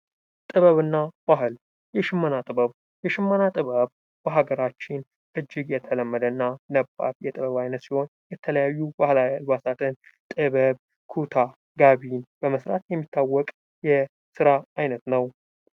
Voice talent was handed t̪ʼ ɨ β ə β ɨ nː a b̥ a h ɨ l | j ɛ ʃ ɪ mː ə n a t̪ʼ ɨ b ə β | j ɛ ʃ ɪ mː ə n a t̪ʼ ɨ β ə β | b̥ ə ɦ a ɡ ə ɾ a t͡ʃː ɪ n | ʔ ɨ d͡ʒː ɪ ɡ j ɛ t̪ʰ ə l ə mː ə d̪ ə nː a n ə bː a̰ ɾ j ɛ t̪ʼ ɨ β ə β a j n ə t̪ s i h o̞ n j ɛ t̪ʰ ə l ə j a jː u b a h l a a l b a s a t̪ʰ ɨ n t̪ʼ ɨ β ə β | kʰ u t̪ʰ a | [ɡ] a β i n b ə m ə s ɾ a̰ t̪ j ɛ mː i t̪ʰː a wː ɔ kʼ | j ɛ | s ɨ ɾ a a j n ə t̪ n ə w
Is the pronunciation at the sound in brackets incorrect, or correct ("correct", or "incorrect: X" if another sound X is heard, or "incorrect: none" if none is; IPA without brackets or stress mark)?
correct